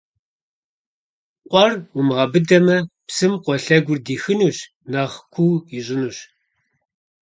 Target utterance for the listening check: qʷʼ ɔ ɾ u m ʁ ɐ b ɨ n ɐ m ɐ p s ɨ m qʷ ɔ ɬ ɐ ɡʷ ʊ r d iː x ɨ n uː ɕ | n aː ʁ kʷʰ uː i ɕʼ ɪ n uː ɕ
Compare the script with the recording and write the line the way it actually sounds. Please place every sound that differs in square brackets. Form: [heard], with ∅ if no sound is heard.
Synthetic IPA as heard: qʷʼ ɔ [r] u m ʁ ɐ b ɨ [d] ɐ m ɐ p s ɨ m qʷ ɔ ɬ ɐ ɡʷ ʊ r d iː x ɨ n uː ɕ | n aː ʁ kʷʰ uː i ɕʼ ɪ n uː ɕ